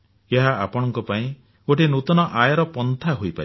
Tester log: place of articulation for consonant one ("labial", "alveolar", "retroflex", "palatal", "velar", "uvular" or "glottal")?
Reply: glottal